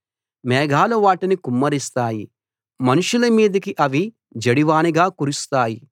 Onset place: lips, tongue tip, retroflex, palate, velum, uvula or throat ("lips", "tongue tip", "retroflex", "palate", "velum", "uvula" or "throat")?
lips